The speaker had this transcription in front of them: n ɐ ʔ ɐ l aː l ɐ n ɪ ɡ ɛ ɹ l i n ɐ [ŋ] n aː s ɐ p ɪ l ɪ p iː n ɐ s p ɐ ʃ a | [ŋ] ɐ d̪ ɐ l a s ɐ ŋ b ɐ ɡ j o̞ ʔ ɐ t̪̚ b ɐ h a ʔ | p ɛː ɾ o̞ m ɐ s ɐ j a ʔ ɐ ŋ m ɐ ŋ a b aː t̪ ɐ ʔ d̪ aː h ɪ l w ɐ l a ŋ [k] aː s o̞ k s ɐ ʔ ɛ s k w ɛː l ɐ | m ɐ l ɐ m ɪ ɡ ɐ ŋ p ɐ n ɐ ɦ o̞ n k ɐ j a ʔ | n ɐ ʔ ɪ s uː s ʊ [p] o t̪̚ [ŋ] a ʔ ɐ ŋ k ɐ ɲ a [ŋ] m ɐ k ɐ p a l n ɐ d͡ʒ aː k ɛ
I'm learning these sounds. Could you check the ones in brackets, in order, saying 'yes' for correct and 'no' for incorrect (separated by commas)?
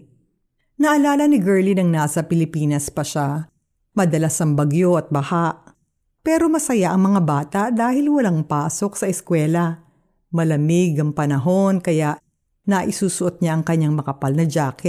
yes, no, no, no, no, yes